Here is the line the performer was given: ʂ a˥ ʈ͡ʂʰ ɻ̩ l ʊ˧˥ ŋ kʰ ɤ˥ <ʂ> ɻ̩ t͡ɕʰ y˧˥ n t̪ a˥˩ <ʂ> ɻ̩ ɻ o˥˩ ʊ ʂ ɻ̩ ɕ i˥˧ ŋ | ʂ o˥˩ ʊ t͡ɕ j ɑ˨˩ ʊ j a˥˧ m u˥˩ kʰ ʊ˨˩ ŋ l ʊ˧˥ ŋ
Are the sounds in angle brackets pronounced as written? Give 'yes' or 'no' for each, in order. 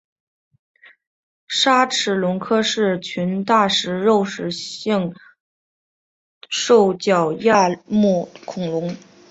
yes, yes

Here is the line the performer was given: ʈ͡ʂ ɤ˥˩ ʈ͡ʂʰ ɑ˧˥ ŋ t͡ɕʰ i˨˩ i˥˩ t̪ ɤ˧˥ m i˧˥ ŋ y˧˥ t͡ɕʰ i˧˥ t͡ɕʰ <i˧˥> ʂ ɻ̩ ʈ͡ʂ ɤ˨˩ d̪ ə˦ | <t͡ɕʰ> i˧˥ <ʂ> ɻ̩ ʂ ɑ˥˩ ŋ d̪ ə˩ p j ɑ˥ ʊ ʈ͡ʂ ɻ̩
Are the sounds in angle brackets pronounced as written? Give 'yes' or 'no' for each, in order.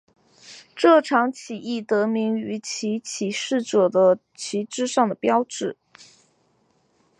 no, yes, no

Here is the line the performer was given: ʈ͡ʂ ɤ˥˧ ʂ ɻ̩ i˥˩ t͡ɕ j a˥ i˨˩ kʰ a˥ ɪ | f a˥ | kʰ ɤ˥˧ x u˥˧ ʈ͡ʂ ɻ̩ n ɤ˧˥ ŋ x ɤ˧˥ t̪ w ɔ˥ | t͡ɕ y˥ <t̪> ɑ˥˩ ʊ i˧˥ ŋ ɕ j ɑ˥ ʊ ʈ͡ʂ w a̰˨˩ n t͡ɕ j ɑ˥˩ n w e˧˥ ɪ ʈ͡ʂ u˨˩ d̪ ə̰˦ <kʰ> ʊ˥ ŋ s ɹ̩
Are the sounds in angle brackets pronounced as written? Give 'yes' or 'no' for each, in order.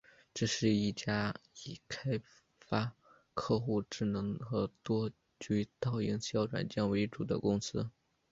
yes, no

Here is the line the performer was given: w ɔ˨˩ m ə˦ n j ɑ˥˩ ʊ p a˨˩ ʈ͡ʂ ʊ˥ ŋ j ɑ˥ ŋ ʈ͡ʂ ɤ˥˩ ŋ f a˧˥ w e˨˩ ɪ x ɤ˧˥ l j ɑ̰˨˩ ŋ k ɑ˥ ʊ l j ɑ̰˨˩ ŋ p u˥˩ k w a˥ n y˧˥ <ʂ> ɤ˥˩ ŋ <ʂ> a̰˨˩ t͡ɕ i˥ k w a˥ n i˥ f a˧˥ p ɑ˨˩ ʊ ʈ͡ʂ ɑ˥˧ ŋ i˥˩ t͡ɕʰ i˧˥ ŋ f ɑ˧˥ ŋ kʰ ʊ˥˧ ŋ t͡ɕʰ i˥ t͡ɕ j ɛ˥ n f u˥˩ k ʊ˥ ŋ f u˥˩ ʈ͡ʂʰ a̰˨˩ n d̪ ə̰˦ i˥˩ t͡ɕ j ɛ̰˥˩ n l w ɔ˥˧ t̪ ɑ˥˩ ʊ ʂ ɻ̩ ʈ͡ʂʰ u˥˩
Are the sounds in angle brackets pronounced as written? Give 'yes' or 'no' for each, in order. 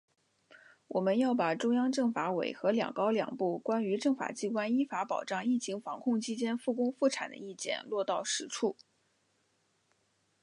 no, no

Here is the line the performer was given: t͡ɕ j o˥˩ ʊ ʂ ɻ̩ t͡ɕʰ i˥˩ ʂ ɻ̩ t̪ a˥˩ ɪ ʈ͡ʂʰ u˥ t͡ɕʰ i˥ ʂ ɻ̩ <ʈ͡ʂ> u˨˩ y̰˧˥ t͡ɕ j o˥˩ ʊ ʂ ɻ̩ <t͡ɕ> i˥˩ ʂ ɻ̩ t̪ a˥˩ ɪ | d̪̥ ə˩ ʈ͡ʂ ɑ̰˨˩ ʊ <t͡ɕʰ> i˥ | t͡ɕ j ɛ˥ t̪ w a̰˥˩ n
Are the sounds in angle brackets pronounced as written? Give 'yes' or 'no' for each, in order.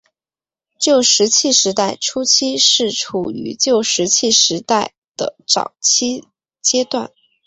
no, no, yes

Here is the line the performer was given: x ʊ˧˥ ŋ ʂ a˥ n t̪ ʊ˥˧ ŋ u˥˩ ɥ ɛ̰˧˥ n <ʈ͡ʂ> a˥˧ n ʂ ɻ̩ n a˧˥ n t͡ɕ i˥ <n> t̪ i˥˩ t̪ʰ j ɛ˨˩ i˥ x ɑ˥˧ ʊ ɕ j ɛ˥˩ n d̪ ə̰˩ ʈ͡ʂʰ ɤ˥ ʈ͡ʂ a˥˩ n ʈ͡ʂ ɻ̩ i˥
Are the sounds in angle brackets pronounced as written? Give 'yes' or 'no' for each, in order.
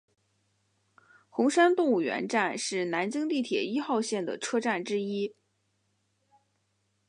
yes, no

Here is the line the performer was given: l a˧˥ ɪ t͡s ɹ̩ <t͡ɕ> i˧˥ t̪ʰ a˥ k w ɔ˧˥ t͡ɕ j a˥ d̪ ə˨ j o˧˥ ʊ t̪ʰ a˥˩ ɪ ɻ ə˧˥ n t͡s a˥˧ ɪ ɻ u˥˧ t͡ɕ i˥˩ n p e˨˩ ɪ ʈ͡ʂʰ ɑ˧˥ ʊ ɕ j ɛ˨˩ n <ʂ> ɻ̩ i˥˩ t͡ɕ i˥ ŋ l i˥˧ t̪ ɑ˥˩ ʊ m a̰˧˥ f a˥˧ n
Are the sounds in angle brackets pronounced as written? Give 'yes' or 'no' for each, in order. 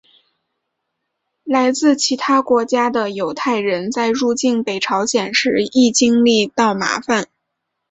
no, yes

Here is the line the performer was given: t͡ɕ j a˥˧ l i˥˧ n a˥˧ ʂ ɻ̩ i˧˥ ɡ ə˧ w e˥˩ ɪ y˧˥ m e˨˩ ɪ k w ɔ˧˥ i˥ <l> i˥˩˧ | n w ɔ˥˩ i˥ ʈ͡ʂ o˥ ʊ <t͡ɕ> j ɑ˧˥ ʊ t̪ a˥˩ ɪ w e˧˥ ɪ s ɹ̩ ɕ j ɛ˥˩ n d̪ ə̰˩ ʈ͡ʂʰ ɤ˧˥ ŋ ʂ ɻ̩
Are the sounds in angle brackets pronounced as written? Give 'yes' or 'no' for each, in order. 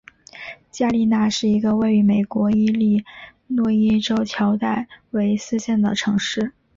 yes, no

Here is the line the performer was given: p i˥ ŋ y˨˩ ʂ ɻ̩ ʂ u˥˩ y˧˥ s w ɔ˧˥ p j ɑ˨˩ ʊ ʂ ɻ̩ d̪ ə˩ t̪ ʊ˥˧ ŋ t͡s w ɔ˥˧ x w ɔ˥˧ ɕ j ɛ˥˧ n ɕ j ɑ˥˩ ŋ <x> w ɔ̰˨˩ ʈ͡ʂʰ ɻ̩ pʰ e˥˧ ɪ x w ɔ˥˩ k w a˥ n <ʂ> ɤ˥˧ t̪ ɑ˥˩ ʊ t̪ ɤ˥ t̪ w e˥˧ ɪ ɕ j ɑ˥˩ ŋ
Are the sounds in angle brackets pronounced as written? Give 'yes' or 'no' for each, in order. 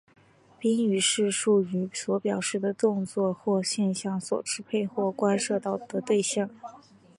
no, yes

